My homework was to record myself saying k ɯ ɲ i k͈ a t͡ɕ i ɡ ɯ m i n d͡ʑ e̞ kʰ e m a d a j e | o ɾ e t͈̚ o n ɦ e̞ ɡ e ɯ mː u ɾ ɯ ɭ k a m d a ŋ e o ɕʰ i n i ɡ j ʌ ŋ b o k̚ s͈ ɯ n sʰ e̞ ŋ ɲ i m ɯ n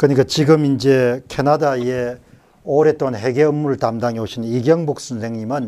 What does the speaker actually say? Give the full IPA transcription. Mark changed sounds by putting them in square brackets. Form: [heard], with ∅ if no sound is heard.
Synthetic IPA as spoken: k ɯ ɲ i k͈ a t͡ɕ i ɡ ɯ m i n d͡ʑ e̞ kʰ e [n] a d a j e | o ɾ e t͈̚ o n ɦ e̞ ɡ e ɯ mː u ɾ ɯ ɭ [t] a m d a ŋ e o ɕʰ i n i ɡ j ʌ ŋ b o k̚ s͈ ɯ n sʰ e̞ ŋ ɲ i m ɯ n